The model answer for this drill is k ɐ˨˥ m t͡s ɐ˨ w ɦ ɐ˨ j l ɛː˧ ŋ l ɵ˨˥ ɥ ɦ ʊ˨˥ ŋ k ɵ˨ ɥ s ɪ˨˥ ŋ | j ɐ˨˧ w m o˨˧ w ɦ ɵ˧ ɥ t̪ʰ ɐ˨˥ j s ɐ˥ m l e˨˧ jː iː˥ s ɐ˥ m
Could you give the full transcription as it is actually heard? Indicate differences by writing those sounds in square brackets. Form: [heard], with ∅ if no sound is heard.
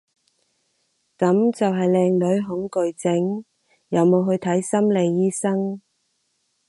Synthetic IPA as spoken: k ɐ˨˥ m t͡s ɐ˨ w ɦ ɐ˨ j l ɛː˧ ŋ l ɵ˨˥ ɥ ɦ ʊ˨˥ ŋ k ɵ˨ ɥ [t͡s] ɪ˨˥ ŋ | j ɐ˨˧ w m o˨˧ w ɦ ɵ˧ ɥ t̪ʰ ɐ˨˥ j s ɐ˥ m l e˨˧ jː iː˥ s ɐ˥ [ŋ]

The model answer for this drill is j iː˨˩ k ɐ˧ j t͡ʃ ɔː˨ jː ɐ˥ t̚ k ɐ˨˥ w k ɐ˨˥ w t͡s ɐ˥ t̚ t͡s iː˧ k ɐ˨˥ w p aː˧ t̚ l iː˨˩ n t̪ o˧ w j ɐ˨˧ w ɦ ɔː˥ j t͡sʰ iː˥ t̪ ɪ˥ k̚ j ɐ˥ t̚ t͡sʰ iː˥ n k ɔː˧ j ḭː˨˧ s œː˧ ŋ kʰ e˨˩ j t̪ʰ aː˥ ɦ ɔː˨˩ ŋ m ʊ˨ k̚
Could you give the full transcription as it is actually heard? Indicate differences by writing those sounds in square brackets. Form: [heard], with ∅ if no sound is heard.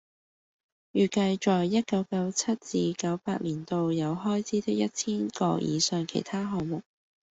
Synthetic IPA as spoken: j [yː˨˩] k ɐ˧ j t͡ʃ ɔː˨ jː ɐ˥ t̚ k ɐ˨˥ w k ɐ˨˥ w [t͡sʰ] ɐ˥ t̚ t͡s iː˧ k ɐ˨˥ w p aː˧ t̚ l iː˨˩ n t̪ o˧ w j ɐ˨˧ w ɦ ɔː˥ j t͡sʰ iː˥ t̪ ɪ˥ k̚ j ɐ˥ t̚ t͡sʰ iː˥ n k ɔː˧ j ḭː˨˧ s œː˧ ŋ kʰ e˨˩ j t̪ʰ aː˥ ɦ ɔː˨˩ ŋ m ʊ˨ k̚

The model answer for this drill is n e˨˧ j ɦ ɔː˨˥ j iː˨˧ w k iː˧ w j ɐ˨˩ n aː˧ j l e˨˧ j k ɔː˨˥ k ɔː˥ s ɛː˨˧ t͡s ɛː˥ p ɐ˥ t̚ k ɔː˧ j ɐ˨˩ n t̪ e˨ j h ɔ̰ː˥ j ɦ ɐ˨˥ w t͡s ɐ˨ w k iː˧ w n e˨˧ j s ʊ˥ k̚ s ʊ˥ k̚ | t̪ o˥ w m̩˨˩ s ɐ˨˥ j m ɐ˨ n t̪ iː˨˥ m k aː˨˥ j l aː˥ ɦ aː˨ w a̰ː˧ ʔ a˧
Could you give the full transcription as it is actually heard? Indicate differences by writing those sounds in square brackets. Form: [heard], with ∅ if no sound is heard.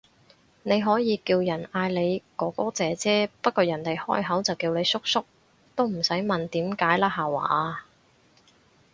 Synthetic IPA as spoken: n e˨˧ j ɦ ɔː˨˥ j iː˨˧ [∅] k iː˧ w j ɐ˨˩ n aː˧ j l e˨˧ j k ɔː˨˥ k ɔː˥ [t͡s] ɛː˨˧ t͡s ɛː˥ p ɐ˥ t̚ k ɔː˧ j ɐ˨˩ n t̪ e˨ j h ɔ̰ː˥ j ɦ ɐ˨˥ w t͡s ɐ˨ w k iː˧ w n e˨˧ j s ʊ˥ k̚ s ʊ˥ k̚ | t̪ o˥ w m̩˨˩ s ɐ˨˥ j m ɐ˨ n t̪ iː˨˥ m k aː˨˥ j l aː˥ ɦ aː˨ w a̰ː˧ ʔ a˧

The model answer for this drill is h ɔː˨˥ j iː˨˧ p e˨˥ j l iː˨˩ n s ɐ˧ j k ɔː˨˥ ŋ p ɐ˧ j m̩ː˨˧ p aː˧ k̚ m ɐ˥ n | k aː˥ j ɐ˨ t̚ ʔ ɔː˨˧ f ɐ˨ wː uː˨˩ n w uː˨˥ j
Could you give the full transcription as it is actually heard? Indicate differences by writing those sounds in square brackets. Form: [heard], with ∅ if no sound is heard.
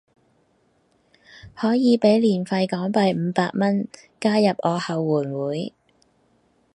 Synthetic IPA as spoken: h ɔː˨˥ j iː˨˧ p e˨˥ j l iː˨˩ n [f] ɐ˧ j k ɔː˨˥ ŋ p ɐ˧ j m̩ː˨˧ p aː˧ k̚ m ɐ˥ n | k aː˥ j ɐ˨ [p̚] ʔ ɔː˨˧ [h] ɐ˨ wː uː˨˩ n w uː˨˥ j

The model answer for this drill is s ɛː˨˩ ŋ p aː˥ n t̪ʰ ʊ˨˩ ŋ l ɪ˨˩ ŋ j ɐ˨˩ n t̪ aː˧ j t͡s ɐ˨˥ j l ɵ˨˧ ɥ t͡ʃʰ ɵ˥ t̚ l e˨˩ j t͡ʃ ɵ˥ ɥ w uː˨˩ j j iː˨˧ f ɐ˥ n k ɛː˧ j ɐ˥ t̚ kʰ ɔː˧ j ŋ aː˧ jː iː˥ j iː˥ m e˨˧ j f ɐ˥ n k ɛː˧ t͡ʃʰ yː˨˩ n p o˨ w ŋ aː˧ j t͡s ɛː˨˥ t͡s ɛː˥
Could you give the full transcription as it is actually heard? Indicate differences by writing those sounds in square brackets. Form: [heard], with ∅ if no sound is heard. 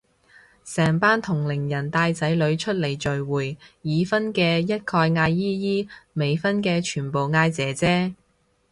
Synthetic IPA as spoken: s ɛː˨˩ ŋ p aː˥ n t̪ʰ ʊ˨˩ ŋ l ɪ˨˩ ŋ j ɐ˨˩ n t̪ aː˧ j t͡s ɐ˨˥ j l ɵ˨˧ ɥ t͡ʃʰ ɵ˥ t̚ l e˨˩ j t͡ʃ [ɵ˨] ɥ w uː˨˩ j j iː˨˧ f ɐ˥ n k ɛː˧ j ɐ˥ t̚ kʰ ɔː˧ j ŋ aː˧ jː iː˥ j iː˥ m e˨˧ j f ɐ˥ n k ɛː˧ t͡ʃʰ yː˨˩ n p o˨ w ŋ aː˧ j t͡s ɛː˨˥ t͡s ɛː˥

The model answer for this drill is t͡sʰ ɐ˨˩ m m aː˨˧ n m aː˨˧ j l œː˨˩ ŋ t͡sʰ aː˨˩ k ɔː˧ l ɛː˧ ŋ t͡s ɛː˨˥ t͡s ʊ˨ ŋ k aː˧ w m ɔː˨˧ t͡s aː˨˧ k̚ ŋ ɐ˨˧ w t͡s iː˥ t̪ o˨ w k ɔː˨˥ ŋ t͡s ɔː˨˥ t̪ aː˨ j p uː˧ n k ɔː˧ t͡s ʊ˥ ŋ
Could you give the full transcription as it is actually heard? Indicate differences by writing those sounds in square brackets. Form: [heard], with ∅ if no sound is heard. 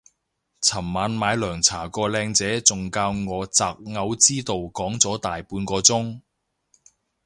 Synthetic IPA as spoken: t͡sʰ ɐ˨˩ m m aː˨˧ n m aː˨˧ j l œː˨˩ ŋ t͡sʰ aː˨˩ k ɔː˧ l ɛː˧ ŋ t͡s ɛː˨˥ t͡s ʊ˨ ŋ k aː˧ w [ŋ] ɔː˨˧ t͡s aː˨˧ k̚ ŋ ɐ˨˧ w t͡s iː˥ t̪ o˨ w k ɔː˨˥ ŋ t͡s ɔː˨˥ t̪ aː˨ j p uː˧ n k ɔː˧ t͡s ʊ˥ ŋ

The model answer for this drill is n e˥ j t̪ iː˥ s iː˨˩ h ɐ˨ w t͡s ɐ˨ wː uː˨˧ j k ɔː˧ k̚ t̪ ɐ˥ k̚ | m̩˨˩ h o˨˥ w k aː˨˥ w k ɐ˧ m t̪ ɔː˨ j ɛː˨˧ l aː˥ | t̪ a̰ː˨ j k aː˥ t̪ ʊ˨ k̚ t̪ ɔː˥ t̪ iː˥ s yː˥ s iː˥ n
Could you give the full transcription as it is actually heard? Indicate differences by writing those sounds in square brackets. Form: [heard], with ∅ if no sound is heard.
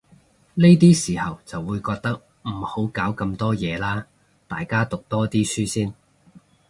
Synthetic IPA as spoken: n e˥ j t̪ iː˥ s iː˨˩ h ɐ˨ w t͡s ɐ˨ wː uː˨˧ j k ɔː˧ k̚ t̪ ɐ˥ k̚ | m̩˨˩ h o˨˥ w k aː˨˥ w k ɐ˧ m t̪ [ɔː˥] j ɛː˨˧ l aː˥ | t̪ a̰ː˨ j k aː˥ t̪ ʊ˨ k̚ t̪ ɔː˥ t̪ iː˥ s yː˥ s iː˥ n

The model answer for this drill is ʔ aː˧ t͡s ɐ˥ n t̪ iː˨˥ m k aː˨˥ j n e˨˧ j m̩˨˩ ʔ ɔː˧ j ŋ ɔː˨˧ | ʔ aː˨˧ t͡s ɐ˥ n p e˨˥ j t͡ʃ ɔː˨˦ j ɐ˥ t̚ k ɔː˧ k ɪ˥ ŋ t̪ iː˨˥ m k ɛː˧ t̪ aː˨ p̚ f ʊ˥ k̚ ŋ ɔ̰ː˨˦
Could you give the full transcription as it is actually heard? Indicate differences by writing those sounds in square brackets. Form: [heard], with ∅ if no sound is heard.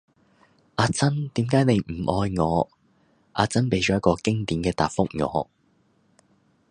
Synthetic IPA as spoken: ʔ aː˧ t͡s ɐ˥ n t̪ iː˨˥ m k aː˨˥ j n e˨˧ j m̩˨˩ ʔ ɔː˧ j ŋ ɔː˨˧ | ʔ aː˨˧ t͡s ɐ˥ n p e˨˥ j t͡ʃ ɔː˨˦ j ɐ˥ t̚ k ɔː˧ k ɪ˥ ŋ t̪ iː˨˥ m k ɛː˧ t̪ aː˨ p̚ f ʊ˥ k̚ ŋ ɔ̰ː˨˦

